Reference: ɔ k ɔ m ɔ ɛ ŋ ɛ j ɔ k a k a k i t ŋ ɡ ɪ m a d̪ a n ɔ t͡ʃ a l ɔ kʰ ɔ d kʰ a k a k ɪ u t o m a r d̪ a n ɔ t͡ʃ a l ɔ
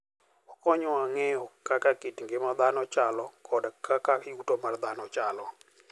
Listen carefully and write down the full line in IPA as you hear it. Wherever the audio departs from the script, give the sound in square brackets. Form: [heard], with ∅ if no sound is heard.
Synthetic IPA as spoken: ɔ k ɔ [ɲ] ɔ [a] ŋ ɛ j ɔ k a k a k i t ŋ ɡ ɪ m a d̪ a n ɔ t͡ʃ a l ɔ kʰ ɔ d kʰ a k a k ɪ u t o m a r d̪ a n ɔ t͡ʃ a l ɔ